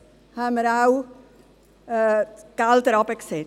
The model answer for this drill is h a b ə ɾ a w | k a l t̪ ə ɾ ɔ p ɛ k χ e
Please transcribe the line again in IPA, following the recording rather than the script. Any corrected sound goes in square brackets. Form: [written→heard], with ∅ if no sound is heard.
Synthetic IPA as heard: h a [b→m] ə ɾ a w | k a l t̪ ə ɾ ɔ p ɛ k [χ→s] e